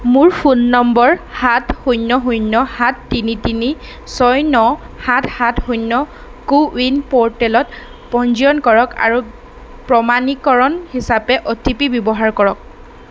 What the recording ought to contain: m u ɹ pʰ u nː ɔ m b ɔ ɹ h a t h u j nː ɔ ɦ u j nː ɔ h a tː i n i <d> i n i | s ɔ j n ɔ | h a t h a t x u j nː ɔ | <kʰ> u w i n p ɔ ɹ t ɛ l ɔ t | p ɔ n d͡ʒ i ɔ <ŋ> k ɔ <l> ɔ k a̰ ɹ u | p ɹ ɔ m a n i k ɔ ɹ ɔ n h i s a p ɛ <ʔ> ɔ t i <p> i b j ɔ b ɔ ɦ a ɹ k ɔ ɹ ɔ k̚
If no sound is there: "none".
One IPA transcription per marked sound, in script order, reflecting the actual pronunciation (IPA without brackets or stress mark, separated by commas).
t, k, n, ɹ, ʔ, p